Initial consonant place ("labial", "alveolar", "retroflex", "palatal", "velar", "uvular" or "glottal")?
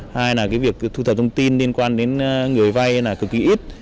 glottal